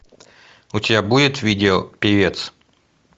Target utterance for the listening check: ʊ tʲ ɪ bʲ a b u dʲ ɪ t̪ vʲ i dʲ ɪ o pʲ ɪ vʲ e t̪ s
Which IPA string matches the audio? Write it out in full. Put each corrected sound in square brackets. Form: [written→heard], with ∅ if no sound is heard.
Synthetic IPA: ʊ tʲ ɪ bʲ a b u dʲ ɪ t̪ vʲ i dʲ ɪ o pʲ ɪ vʲ e t̪ s

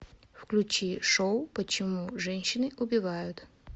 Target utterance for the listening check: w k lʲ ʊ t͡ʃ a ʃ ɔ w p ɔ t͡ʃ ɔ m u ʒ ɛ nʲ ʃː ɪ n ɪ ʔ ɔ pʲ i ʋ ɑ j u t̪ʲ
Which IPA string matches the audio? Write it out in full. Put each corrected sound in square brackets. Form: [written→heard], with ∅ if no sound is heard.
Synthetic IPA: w k lʲ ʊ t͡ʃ [a→i] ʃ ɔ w p ɔ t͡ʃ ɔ m u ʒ ɛ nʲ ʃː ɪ n ɪ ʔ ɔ [pʲ→bʲ] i ʋ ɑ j [u→ʊ] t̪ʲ

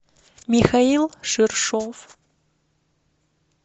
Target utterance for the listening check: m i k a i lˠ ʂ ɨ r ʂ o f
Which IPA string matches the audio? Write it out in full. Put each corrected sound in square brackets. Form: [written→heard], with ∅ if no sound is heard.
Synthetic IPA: m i [k→x] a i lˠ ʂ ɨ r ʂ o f

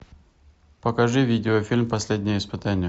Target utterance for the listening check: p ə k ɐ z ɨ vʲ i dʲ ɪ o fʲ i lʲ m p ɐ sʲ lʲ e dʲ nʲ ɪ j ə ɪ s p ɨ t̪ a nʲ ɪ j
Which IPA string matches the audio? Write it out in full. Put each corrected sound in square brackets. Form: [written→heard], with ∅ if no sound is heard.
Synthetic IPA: p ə k ɐ [z→ʐ] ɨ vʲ i dʲ ɪ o fʲ i lʲ m p ɐ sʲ lʲ e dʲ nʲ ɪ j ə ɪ s p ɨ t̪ a nʲ ɪ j

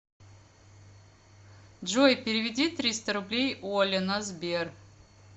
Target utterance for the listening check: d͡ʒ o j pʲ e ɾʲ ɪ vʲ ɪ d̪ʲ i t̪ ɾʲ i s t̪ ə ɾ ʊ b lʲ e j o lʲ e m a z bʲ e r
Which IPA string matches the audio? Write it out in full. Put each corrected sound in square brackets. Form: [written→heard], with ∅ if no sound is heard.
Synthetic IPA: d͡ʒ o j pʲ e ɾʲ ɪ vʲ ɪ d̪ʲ i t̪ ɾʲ i s t̪ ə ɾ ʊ b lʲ e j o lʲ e [m→n] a z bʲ e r

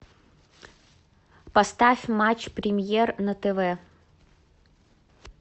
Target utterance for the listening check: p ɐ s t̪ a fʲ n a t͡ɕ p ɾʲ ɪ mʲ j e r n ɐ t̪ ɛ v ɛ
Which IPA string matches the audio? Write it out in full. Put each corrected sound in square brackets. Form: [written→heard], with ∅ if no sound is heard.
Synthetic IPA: p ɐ s t̪ a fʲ [n→m] a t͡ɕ p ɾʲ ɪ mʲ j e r n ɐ t̪ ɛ v ɛ

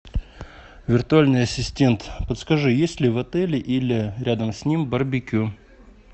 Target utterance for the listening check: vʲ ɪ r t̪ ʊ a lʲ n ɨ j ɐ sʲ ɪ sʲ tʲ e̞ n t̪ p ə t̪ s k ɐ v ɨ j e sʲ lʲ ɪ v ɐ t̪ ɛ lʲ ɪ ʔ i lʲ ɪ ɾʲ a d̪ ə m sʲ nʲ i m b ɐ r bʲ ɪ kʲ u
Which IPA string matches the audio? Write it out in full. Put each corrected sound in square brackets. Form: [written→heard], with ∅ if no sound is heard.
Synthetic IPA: vʲ ɪ r t̪ ʊ a lʲ n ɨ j ɐ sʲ ɪ sʲ tʲ e̞ n t̪ p ə t̪ s k ɐ [v→ʐ] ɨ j e sʲ lʲ ɪ v ɐ t̪ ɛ lʲ ɪ ʔ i lʲ ɪ ɾʲ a d̪ ə m sʲ nʲ i m b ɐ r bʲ ɪ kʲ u

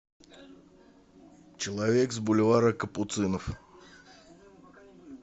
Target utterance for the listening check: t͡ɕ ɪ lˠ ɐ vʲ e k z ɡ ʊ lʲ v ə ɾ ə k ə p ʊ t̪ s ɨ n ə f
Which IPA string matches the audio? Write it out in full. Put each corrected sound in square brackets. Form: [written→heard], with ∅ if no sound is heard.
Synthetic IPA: t͡ɕ ɪ lˠ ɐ vʲ e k z [ɡ→b] ʊ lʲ v [ə→a] ɾ ə k ə p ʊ t̪ s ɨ n ə f

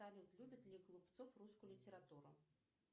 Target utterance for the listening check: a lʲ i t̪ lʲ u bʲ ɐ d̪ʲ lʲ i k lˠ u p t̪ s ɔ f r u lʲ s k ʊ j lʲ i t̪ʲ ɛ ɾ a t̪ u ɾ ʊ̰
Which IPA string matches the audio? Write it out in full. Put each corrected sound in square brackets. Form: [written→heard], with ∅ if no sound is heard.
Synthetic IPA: a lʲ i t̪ lʲ u bʲ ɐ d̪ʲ lʲ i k lˠ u p t̪ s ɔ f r u [lʲ→∅] s k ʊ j lʲ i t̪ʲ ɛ ɾ a t̪ u ɾ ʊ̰

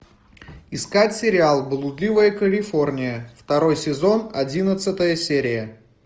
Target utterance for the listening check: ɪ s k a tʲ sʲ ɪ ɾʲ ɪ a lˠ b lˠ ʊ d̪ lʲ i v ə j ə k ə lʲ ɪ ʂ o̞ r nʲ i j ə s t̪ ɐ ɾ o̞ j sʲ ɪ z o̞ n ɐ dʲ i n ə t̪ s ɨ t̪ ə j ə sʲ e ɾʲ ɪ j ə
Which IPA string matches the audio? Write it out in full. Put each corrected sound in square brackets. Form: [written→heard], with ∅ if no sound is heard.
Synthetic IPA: ɪ s k a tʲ sʲ ɪ ɾʲ ɪ a lˠ b lˠ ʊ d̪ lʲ i v ə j ə k ə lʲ ɪ [ʂ→f] o̞ r nʲ [i→ɪ] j ə [s→f] t̪ ɐ ɾ o̞ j sʲ ɪ z o̞ n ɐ dʲ i n ə t̪ s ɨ t̪ ə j ə sʲ e ɾʲ ɪ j ə

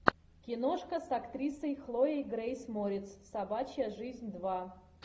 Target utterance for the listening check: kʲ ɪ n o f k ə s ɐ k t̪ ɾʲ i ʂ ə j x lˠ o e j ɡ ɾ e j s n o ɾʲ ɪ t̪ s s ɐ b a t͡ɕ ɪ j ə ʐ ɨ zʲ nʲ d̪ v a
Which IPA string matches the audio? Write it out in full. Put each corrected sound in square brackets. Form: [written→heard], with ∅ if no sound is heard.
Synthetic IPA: kʲ ɪ n o [f→ʂ] k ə s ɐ k t̪ ɾʲ i [ʂ→s] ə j x lˠ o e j ɡ ɾ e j s [n→m] o ɾʲ ɪ t̪ s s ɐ b a t͡ɕ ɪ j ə ʐ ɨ zʲ nʲ d̪ v a

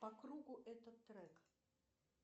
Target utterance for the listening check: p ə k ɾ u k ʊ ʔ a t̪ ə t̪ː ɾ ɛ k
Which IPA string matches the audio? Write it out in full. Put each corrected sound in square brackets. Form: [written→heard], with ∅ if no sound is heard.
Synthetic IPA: p [ə→ɐ] k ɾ u [k→ɡ] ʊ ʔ [a→ɛ] t̪ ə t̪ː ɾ ɛ k

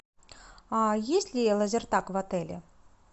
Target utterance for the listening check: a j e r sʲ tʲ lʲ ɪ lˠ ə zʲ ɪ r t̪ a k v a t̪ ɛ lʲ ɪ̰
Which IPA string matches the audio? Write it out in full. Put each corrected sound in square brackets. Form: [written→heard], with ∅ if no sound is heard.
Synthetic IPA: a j e [r→∅] sʲ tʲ lʲ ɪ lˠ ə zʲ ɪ r t̪ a k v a t̪ ɛ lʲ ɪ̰

